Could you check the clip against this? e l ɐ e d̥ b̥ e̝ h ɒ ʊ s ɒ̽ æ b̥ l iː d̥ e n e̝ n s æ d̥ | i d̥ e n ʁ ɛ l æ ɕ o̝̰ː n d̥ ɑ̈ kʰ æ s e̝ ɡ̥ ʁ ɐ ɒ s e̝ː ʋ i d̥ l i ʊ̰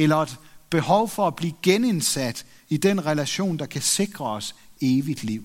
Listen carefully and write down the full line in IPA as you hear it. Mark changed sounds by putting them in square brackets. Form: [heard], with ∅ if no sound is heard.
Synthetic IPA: e l ɐ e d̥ b̥ e̝ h ɒ ʊ [f] ɒ̽ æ b̥ l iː [ɡ̥] e n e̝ n s æ d̥ | i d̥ e n ʁ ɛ l æ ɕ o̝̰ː n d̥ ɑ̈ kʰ æ s e̝ ɡ̥ ʁ ɐ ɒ s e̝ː ʋ i d̥ l i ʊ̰